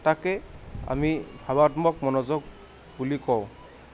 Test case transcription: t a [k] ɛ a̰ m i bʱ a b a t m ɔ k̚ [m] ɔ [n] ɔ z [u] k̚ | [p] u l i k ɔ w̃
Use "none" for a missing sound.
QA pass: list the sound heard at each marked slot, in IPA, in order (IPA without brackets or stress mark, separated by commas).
k, m, n, ɔ, b